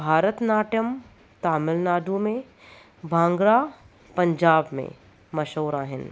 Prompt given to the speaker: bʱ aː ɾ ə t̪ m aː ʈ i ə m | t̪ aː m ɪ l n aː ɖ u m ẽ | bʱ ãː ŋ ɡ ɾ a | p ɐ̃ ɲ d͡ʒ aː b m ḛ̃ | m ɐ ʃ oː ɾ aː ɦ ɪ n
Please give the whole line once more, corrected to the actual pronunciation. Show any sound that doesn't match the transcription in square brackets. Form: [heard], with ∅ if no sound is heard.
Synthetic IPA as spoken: bʱ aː ɾ ə t̪ [n] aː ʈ [j] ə m | t̪ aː m ɪ l n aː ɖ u m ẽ | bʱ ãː ŋ ɡ ɾ a | p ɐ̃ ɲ d͡ʒ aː b m ḛ̃ | m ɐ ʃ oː ɾ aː ɦ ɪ n